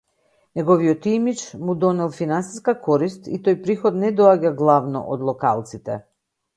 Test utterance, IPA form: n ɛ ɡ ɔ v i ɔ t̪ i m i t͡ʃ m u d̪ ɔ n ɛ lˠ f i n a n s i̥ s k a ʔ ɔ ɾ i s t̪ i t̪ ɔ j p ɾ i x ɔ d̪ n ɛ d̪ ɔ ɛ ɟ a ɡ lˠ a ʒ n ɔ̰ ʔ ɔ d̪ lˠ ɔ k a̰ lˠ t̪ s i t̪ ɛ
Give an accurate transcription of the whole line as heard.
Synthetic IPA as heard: n ɛ ɡ ɔ v i ɔ t̪ i m i t͡ʃ m u d̪ ɔ n ɛ lˠ f i n a n s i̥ s k a k ɔ ɾ i s t̪ i t̪ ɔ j p ɾ i x ɔ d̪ n ɛ d̪ ɔ a ɟ a ɡ lˠ a v n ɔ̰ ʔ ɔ d̪ lˠ ɔ k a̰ lˠ t̪ s i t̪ ɛ